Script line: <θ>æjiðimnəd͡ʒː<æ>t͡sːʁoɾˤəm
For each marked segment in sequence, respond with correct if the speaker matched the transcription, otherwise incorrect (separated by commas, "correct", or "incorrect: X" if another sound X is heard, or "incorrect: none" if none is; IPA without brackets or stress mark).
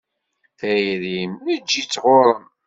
correct, incorrect: i